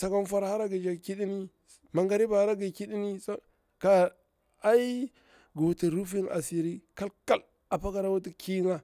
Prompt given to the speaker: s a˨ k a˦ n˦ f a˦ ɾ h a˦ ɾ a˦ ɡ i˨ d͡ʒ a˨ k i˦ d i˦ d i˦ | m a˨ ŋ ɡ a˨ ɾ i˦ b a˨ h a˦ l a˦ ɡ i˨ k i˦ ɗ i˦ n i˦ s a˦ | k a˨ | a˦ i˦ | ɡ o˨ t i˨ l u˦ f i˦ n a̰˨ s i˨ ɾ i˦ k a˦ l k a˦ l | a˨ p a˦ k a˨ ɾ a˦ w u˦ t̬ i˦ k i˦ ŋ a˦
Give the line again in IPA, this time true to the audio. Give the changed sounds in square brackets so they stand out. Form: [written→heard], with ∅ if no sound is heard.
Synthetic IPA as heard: s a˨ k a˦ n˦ f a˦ ɾ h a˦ ɾ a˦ ɡ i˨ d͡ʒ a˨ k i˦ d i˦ [d→n] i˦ | m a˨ ŋ ɡ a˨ ɾ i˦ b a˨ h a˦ [l→ɾ] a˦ ɡ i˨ k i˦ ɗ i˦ n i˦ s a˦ | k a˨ | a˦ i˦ | ɡ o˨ t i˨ [l→ɾ] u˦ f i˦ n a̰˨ s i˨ ɾ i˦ k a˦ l k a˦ l | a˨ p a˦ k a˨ ɾ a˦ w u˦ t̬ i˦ k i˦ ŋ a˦